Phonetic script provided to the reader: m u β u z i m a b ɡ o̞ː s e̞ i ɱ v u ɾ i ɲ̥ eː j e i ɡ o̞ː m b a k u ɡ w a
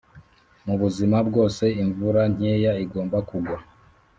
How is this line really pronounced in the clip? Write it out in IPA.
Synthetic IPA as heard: m u β u z i m a b ɡ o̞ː s e̞ i ɱ v u ɾ a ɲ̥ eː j a i ɡ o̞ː m b a k u ɡ w a